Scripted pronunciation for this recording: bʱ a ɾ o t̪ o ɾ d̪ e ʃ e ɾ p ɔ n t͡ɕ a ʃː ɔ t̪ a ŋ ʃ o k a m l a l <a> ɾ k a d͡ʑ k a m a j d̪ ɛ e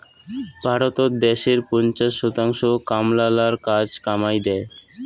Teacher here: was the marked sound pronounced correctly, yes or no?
yes